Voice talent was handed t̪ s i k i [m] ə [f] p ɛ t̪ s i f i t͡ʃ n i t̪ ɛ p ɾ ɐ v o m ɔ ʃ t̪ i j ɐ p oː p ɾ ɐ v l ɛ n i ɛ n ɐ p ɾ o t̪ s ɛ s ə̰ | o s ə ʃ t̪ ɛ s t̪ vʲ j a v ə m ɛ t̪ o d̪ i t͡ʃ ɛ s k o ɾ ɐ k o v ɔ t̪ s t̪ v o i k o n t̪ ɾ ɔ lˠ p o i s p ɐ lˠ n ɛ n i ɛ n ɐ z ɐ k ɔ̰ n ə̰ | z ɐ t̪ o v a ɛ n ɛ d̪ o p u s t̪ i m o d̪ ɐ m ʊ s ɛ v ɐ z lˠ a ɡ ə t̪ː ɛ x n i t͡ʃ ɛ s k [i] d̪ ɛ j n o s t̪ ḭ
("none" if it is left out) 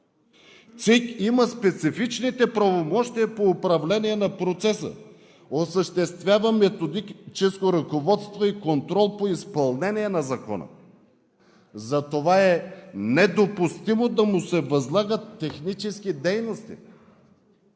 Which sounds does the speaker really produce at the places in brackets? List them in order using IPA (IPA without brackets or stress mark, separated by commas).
m, s, i